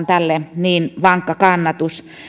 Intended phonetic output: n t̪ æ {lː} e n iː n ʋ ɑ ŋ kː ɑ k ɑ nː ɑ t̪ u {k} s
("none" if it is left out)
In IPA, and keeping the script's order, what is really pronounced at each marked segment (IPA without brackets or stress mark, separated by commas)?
lː, none